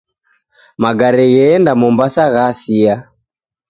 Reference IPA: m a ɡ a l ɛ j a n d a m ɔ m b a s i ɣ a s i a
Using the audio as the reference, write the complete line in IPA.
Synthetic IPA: m a ɡ a ɾ ɛ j ɛ n d a m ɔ m b a s a ɣ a s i a